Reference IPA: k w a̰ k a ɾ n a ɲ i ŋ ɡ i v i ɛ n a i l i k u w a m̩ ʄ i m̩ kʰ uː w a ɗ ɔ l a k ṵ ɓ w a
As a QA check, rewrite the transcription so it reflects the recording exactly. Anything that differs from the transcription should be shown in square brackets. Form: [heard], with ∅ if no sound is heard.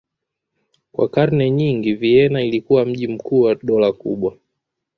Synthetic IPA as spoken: k w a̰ k a ɾ n [ɛ] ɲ i ŋ ɡ i v i ɛ n a i l i k u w a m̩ ʄ i m̩ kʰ uː w a ɗ ɔ l a k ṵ ɓ w a